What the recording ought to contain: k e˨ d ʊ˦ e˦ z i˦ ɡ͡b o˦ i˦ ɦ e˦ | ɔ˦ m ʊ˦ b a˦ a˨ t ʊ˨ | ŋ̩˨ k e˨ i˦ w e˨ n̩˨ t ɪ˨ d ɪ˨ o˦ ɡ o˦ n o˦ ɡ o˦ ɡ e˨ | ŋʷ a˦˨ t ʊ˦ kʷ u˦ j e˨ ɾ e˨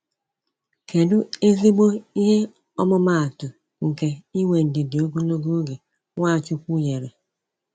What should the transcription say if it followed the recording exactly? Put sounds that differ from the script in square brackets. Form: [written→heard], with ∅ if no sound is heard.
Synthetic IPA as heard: k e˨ d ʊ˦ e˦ z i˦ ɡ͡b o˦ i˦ ɦ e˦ | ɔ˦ m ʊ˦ [b→m] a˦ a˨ t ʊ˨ | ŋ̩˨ k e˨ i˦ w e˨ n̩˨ [t→d] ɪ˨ d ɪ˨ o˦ ɡ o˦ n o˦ ɡ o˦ ɡ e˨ | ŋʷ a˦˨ [t→t͡ʃ] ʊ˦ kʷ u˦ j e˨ ɾ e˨